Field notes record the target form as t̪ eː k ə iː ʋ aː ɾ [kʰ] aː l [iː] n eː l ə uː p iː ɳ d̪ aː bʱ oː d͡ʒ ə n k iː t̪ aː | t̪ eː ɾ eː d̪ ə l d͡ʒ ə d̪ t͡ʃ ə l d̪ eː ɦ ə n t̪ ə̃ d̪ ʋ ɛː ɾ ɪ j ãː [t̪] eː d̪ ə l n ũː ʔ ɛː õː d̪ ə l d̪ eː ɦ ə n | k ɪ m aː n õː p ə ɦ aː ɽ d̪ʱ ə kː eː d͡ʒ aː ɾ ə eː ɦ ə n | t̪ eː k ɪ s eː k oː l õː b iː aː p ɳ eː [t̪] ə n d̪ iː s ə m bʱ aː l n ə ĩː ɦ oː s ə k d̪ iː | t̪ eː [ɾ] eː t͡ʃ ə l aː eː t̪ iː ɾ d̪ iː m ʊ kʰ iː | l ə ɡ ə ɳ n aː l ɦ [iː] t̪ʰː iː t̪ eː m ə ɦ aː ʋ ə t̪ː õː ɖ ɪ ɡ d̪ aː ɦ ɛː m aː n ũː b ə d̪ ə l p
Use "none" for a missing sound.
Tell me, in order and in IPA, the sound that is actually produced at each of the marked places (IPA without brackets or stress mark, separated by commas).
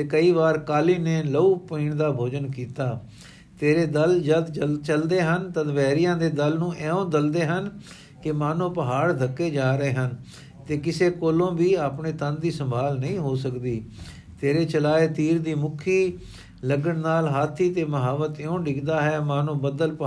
k, iː, d̪, t̪, ɾ, aː